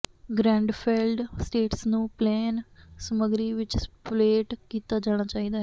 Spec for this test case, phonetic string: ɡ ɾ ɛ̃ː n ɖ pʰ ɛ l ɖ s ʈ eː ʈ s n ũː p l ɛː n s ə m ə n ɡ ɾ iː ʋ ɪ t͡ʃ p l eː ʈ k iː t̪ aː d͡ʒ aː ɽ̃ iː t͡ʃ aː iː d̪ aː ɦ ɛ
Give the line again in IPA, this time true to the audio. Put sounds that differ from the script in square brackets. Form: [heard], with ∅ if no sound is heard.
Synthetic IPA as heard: ɡ ɾ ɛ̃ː [ɳ] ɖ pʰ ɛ l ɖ s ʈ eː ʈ s n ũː p l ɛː n s ə m ə [∅] ɡ ɾ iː ʋ ɪ t͡ʃ p l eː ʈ k iː t̪ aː d͡ʒ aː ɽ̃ [aː] t͡ʃ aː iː d̪ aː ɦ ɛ